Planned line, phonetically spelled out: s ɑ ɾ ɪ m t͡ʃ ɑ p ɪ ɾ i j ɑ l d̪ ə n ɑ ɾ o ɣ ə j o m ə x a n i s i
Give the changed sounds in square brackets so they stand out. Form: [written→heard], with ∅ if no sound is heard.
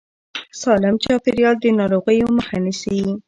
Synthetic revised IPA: s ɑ [ɾ→l] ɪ m t͡ʃ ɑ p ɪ ɾ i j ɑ l d̪ ə n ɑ ɾ o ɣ ə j o m ə x a n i s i